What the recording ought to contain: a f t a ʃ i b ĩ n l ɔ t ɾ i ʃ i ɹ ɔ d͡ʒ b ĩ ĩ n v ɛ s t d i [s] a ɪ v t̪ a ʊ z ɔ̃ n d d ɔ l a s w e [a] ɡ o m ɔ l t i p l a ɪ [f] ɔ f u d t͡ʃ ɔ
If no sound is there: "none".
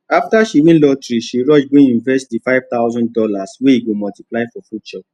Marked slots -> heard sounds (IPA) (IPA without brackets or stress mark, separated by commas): f, i, f